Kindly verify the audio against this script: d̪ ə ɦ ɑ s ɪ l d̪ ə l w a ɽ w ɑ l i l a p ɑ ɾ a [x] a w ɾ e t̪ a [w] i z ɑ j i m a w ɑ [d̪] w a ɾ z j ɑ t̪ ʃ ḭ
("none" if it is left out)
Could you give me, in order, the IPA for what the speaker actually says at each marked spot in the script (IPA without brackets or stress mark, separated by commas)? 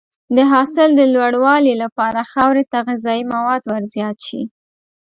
x, ɣ, d̪